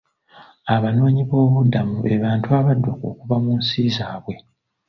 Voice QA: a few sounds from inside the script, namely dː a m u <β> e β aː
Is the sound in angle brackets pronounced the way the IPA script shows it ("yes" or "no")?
yes